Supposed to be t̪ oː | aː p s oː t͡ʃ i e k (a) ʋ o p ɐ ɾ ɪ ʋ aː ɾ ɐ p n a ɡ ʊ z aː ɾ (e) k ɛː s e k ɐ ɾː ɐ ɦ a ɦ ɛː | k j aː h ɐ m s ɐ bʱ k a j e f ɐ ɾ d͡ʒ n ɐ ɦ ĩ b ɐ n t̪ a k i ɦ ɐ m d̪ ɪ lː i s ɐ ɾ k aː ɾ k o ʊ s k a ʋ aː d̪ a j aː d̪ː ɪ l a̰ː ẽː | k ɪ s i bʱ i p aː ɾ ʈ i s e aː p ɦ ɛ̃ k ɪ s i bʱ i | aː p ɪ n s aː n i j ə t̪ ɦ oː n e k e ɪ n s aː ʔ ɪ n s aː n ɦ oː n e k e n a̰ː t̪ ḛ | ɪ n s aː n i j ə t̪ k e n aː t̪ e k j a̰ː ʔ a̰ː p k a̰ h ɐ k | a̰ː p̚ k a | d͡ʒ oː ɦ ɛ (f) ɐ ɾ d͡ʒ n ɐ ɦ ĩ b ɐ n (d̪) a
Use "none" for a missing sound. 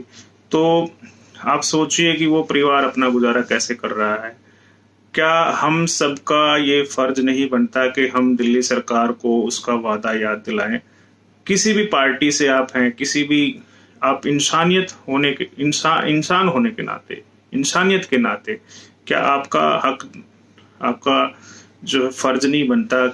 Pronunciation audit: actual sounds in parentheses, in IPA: i, a, f, t̪

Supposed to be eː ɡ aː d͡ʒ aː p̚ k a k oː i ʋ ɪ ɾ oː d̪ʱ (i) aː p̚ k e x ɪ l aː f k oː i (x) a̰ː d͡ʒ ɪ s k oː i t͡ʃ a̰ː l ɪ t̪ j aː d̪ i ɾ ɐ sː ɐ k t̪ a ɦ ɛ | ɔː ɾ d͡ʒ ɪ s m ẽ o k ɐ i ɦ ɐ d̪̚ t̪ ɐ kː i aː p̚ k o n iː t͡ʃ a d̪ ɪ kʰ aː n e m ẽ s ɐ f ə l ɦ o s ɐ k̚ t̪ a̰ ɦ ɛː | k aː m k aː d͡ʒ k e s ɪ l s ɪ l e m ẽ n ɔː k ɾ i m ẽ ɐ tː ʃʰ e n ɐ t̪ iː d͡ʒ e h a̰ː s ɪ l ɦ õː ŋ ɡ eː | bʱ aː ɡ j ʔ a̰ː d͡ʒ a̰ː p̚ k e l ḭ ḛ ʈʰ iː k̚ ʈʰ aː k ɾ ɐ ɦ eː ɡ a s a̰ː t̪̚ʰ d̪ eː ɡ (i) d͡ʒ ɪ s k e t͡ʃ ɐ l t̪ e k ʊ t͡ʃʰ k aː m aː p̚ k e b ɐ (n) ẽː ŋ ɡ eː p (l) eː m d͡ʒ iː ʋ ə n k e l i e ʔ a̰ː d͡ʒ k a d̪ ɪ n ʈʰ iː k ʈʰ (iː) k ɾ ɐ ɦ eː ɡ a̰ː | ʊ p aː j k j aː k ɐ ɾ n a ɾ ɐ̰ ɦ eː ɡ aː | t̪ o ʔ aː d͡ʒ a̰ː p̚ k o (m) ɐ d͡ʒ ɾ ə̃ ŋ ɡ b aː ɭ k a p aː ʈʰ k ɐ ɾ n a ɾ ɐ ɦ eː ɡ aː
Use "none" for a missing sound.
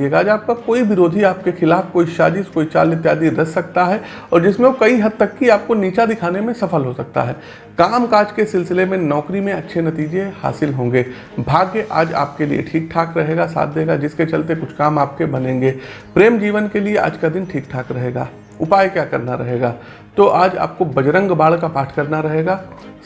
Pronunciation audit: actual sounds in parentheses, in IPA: i, ʃ, a, n, ɾ, aː, b

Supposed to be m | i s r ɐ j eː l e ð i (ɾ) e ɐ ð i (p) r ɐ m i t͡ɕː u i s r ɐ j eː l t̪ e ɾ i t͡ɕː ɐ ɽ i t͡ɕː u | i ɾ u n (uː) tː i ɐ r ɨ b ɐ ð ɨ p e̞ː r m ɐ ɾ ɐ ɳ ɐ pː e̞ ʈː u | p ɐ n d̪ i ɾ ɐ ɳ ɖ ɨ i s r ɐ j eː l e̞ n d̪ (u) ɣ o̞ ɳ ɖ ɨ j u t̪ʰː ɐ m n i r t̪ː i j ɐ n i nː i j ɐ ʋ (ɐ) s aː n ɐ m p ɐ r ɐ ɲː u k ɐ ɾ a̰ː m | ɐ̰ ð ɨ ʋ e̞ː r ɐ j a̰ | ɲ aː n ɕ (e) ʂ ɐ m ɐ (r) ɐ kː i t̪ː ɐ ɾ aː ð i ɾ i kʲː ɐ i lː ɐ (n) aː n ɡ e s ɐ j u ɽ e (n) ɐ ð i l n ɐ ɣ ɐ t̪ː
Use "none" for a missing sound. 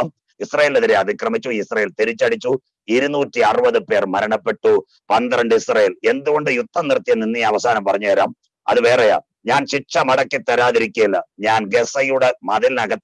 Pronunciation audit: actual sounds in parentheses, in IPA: ɾ, k, uː, u, ɐ, i, ɽ, ɲ, m

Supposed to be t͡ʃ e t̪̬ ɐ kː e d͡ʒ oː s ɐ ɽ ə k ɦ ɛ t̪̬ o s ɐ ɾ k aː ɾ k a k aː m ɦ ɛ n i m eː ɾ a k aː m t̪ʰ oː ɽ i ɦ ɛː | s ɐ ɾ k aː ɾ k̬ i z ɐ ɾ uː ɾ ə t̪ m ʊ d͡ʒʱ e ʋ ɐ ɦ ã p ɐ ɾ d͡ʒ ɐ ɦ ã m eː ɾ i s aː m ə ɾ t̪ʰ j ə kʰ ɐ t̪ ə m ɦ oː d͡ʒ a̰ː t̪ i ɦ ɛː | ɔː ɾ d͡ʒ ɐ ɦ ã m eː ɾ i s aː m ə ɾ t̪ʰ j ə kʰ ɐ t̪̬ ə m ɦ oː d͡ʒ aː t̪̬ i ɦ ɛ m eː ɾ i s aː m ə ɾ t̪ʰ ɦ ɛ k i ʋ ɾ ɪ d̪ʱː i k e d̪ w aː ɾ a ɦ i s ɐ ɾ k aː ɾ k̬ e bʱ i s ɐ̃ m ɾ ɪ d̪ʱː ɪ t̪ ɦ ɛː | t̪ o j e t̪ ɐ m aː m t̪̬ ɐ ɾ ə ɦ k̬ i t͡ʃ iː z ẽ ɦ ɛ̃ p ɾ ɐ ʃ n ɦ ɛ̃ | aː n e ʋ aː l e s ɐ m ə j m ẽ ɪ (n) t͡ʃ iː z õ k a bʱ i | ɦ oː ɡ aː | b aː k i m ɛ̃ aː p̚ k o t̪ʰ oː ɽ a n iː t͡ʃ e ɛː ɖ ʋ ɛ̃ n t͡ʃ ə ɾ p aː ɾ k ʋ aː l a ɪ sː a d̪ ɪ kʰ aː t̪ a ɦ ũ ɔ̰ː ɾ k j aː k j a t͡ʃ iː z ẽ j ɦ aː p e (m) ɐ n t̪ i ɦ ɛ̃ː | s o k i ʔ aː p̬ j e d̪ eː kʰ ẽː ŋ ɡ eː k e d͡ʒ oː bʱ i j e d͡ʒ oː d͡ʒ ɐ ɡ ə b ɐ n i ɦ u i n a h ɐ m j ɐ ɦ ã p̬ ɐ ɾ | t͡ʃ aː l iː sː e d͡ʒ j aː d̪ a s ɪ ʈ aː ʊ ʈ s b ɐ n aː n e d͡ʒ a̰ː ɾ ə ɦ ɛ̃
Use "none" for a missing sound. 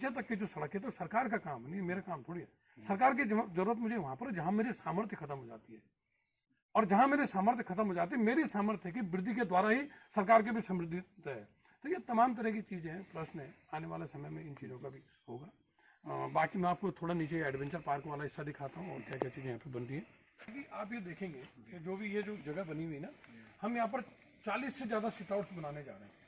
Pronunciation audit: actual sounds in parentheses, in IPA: n, b

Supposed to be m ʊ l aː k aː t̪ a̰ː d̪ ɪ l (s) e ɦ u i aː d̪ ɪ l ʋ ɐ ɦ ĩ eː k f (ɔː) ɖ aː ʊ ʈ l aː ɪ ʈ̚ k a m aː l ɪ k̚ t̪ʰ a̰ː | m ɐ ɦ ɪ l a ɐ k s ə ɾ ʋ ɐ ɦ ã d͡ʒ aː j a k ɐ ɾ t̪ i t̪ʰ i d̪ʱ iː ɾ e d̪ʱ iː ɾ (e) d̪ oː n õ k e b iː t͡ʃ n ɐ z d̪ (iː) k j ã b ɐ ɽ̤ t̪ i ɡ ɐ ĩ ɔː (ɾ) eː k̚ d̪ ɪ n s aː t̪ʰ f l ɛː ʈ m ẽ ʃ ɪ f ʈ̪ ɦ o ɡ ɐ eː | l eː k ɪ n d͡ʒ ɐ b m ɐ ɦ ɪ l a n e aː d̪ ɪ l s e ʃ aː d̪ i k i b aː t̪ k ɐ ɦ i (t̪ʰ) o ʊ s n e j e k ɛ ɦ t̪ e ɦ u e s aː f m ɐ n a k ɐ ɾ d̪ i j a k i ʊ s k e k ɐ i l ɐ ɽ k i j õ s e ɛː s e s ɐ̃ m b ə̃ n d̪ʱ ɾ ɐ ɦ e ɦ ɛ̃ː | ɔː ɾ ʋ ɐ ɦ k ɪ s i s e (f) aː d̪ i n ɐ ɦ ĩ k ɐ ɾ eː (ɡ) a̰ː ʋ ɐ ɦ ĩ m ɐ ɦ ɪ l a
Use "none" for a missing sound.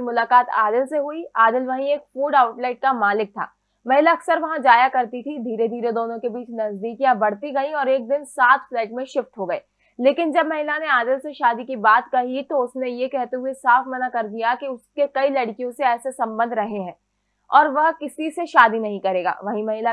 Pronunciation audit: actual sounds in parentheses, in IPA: s, uː, e, iː, ɾ, t̪, ʃ, ɡ

